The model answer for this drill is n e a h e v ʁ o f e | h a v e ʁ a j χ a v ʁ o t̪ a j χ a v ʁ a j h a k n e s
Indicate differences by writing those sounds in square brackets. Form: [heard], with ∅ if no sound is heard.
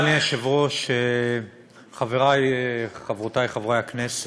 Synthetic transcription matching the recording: n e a [ʃ] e v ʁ o [ʃ] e | [χ] a v e ʁ a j χ a v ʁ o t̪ a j χ a v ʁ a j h a k n e s